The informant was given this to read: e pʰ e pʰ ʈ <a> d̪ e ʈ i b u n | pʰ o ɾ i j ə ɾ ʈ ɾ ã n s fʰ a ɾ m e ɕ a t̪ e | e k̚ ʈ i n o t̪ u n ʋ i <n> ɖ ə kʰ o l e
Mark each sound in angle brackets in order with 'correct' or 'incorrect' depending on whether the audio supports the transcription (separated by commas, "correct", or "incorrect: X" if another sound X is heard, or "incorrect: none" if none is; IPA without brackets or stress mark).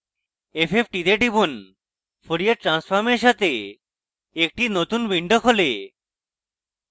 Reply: incorrect: i, incorrect: ɳ